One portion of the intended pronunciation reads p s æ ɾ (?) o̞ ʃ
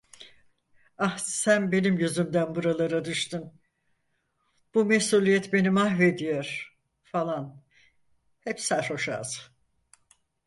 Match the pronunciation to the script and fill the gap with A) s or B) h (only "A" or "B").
B